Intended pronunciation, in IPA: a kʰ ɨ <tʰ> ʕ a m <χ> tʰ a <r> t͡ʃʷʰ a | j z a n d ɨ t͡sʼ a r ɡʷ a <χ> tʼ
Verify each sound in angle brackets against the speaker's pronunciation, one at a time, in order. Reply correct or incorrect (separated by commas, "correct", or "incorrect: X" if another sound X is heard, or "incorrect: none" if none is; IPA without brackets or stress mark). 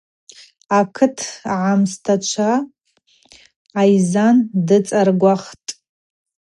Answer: correct, incorrect: s, incorrect: none, correct